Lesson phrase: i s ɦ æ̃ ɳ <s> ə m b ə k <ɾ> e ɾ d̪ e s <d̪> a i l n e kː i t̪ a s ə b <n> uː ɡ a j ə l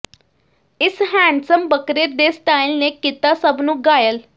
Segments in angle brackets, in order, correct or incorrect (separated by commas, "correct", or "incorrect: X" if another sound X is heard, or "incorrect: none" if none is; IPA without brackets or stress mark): correct, correct, incorrect: t̪, correct